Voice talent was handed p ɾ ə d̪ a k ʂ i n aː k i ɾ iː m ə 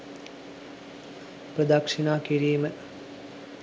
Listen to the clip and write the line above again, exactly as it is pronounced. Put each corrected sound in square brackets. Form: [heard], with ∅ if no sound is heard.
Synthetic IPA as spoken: p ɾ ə d̪ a k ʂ i n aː k i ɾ iː m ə